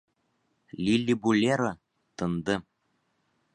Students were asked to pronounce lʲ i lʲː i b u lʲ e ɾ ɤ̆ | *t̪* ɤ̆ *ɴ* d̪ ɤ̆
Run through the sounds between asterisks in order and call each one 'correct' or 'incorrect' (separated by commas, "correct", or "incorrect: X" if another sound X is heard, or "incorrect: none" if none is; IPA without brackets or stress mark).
correct, incorrect: n